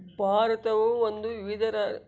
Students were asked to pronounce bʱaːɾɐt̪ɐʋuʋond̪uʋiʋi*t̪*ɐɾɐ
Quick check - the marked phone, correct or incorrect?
incorrect